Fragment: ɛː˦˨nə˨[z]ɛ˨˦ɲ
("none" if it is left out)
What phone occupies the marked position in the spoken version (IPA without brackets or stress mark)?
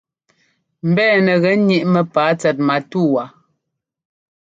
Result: ɣ